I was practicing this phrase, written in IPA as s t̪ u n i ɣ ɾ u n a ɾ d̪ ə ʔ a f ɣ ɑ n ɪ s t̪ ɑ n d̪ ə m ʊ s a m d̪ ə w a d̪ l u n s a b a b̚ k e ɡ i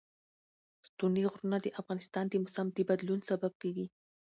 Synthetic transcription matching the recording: s t̪ u n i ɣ ɾ u n a d̪ ə ʔ a f ɣ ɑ n ɪ s t̪ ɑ n d̪ ə m ʊ s a m d̪ ə b a d̪ l u n s a b a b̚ k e ɡ i